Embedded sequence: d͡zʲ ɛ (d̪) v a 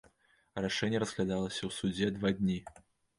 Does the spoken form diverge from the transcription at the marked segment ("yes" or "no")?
no